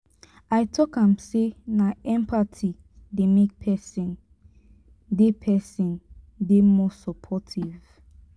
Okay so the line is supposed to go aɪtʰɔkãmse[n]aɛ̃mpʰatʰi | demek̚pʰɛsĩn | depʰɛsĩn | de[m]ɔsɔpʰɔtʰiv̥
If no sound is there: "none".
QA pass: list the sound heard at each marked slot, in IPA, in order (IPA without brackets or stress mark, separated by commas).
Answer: n, m